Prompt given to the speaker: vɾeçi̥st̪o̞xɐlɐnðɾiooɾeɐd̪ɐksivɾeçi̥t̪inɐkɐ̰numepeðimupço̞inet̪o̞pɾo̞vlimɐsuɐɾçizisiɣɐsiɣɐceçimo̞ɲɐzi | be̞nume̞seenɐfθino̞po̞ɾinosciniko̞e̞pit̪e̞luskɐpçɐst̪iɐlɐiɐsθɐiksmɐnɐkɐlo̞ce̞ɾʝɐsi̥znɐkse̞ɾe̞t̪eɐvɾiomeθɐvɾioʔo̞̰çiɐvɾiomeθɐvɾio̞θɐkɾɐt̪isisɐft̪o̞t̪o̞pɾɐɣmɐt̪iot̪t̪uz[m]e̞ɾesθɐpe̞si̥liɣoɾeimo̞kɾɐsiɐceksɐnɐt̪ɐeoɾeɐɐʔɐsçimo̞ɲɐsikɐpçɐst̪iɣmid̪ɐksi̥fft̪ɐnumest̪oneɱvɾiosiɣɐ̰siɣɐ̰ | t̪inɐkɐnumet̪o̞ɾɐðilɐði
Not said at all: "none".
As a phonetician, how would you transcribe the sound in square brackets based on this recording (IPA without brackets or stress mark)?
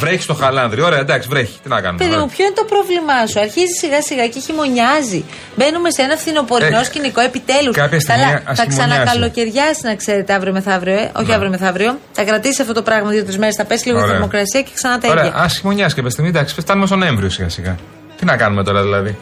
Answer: m